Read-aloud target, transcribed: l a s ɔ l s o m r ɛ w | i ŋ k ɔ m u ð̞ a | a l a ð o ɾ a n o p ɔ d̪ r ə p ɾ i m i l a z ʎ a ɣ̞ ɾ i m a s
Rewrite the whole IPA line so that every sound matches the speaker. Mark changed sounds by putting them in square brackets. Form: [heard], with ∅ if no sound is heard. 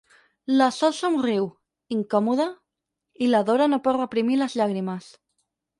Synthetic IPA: l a s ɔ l s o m r [i] w | i ŋ k ɔ m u ð̞ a | [i] l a ð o ɾ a n o p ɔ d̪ r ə p ɾ i m i l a z ʎ a ɣ̞ ɾ i m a s